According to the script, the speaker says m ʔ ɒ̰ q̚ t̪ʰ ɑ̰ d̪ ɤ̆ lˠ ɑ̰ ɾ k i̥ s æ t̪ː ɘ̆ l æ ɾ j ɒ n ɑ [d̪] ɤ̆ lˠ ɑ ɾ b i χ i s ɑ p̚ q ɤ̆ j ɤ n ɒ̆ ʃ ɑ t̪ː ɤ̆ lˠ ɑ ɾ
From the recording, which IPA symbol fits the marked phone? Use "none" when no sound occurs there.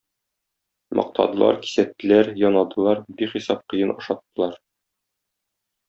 d̪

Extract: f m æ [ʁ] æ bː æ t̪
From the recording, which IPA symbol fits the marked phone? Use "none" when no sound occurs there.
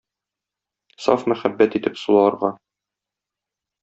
χ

